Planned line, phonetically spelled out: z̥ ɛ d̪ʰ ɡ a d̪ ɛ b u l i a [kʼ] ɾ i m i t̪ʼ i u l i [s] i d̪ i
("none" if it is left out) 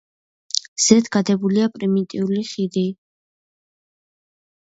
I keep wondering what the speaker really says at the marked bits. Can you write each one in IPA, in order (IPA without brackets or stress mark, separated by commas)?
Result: pʼ, χ